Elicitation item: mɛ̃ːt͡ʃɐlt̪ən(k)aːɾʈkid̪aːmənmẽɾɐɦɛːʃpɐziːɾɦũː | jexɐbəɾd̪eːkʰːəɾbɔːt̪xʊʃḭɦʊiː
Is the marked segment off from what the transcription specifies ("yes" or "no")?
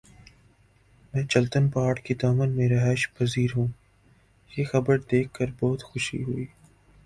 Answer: yes